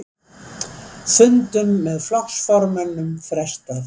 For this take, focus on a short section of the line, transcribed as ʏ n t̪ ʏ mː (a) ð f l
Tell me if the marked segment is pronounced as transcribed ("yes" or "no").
no